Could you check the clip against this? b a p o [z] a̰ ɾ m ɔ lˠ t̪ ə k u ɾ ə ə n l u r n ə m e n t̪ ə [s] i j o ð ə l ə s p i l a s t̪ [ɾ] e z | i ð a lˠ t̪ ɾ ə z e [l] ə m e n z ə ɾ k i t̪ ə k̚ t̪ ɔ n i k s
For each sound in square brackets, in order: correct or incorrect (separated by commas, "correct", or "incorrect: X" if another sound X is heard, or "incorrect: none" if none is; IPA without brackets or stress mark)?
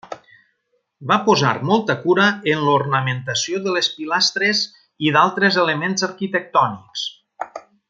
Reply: correct, correct, correct, correct